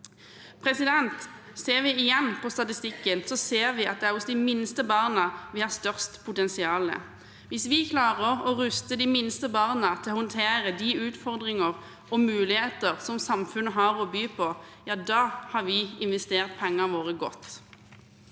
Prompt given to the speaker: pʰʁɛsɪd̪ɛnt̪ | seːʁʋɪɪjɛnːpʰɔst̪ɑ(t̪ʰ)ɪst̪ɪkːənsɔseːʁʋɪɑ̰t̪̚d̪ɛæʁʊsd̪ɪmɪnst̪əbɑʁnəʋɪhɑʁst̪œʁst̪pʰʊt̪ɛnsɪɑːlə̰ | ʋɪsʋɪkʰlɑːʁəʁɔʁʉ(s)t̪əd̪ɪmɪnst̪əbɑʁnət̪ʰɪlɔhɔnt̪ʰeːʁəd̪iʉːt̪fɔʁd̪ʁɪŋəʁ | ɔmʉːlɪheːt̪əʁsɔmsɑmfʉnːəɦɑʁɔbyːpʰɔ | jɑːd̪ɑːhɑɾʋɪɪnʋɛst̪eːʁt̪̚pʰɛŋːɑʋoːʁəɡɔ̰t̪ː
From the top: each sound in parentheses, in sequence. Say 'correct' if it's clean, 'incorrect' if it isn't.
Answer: incorrect: t̪, correct

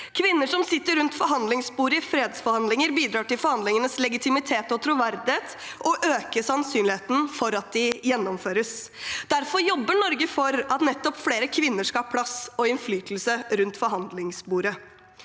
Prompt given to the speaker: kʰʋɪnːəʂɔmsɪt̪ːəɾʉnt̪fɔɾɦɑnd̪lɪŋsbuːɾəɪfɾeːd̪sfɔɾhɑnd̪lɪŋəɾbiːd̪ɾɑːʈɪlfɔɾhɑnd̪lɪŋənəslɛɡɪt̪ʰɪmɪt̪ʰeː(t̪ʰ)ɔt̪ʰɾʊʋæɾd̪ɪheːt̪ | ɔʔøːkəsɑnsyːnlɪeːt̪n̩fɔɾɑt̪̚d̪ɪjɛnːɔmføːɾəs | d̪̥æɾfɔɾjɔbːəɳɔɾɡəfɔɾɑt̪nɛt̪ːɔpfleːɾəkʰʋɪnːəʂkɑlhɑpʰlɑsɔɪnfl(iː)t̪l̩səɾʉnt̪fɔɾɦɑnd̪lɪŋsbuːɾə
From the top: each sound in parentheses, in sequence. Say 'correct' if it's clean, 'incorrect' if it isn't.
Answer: incorrect: t̪, incorrect: yː

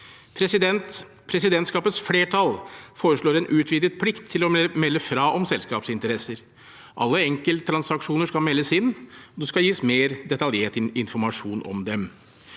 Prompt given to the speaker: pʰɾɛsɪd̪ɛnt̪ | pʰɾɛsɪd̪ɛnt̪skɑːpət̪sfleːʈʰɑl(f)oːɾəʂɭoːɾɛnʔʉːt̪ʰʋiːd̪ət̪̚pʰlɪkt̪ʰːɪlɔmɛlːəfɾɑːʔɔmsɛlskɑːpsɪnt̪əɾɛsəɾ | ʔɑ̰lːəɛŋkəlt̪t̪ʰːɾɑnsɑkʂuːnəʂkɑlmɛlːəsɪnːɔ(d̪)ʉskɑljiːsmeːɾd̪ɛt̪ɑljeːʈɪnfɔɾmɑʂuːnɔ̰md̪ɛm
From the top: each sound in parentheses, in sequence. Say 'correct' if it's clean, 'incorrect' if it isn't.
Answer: correct, correct

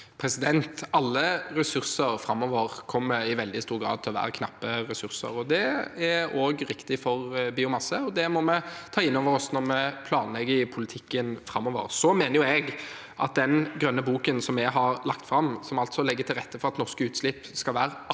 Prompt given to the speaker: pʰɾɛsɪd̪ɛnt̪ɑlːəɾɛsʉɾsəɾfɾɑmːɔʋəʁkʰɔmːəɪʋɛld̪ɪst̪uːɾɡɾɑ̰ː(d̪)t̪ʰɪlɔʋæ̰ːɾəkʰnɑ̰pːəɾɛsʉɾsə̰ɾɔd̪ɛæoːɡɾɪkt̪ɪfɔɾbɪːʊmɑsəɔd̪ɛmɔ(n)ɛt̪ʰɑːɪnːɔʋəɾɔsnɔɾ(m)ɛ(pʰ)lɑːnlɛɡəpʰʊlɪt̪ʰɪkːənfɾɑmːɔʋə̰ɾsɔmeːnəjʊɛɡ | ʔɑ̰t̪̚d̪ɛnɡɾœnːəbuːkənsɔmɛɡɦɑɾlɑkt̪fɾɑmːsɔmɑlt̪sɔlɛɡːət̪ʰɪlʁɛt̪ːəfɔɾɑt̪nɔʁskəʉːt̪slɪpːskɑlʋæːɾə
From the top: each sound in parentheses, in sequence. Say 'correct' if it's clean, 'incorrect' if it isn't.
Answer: correct, incorrect: m, correct, correct

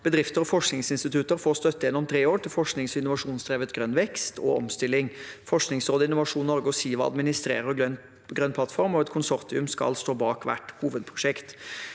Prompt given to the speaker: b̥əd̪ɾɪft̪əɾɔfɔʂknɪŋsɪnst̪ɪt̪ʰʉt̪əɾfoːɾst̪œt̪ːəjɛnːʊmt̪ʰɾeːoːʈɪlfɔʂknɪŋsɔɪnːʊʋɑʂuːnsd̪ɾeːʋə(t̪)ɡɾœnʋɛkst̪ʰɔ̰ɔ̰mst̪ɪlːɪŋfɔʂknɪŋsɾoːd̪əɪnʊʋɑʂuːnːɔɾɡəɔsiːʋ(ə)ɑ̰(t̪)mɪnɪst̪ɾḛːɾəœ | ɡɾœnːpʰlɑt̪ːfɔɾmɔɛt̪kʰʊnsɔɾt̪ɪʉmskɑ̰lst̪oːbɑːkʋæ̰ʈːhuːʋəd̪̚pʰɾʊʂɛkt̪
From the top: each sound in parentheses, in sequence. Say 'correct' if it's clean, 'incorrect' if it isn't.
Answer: correct, incorrect: ɑ, incorrect: d̪

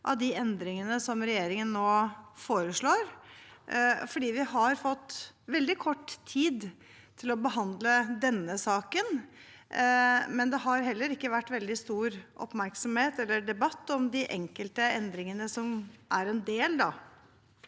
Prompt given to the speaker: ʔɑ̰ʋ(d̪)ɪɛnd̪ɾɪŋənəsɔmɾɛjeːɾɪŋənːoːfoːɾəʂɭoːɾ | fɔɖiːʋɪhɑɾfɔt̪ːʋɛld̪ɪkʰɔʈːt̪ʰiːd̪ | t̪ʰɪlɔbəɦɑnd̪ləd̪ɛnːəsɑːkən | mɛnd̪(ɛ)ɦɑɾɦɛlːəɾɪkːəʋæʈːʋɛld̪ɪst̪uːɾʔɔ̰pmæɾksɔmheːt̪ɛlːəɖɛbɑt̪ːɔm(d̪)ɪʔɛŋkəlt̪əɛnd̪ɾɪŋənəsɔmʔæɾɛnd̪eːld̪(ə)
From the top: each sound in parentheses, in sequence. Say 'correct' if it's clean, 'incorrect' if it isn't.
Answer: correct, correct, correct, incorrect: ɑ

